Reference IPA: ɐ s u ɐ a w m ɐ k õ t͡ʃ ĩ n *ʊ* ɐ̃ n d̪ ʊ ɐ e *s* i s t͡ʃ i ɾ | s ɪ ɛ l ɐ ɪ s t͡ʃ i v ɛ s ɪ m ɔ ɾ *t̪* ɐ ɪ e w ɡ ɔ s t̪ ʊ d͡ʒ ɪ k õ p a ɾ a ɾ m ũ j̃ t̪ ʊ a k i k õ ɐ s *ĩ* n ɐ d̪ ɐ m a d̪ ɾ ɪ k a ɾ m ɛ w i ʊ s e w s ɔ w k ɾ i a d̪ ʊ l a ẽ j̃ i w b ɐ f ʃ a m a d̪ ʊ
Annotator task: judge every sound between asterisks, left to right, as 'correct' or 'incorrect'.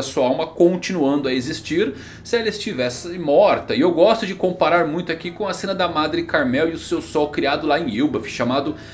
incorrect, incorrect, correct, incorrect

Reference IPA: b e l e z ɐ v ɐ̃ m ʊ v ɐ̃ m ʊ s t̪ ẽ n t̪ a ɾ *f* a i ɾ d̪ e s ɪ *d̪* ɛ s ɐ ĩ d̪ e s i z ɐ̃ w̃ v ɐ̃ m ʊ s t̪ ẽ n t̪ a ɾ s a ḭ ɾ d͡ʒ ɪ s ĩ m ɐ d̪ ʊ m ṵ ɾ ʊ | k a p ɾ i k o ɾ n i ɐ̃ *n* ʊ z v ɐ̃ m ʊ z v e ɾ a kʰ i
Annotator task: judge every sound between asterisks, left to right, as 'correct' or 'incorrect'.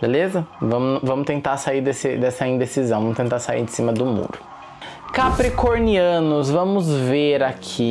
incorrect, correct, correct

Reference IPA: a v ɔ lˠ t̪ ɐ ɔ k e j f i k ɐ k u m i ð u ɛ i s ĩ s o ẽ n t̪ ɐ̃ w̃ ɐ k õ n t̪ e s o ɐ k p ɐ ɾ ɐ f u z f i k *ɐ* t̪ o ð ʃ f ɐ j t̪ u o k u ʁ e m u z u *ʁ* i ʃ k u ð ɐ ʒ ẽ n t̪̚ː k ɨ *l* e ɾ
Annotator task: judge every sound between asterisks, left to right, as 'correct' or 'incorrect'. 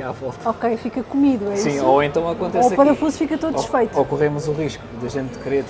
correct, correct, incorrect

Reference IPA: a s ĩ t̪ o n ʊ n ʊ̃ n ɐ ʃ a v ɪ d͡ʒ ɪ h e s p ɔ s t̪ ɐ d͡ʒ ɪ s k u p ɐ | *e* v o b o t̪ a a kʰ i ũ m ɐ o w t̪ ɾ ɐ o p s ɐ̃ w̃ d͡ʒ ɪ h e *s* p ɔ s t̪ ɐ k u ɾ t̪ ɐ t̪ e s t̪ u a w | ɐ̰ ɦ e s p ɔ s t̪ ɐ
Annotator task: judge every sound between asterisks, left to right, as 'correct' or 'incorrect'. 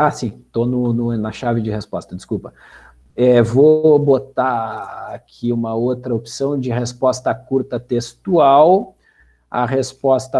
incorrect, correct

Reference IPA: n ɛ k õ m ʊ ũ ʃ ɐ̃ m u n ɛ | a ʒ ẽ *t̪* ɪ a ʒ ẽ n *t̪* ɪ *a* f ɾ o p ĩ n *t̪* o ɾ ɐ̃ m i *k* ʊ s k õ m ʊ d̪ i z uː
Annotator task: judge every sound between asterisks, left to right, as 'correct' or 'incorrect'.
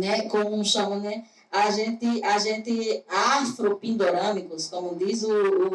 correct, correct, correct, incorrect, correct

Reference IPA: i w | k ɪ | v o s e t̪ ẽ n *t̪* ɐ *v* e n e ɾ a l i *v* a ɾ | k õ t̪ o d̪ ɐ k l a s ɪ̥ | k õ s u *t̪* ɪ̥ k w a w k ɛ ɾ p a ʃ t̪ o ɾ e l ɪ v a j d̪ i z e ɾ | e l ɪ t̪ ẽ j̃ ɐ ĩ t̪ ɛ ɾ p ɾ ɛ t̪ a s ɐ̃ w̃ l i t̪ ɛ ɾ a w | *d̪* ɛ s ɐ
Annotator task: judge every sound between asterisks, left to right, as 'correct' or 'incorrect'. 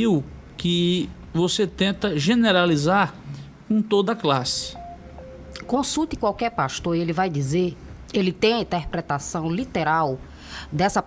correct, incorrect, incorrect, correct, correct

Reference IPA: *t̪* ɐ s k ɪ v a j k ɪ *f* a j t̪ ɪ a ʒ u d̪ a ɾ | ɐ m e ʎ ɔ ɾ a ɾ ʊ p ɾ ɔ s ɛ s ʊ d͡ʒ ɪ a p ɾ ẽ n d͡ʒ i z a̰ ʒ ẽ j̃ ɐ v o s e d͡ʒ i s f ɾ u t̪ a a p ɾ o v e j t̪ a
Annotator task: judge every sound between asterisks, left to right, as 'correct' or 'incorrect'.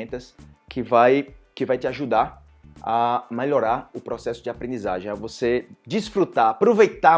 correct, incorrect

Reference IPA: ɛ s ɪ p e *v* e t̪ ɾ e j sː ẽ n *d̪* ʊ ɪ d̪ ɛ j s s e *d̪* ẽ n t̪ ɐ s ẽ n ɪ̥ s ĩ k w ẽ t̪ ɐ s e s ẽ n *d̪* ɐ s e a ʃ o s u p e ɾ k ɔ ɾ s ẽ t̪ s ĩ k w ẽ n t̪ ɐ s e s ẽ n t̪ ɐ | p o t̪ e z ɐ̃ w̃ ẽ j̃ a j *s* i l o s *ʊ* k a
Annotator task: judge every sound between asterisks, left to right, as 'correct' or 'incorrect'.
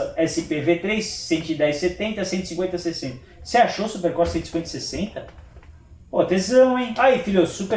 correct, incorrect, incorrect, incorrect, incorrect, incorrect

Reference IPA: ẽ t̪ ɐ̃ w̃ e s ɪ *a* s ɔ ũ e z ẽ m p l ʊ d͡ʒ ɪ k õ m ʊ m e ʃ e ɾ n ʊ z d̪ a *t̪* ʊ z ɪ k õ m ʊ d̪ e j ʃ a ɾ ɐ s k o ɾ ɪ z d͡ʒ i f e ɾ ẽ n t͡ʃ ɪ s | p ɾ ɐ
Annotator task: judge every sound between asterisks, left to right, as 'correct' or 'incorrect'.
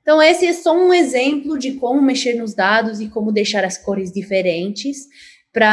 incorrect, incorrect

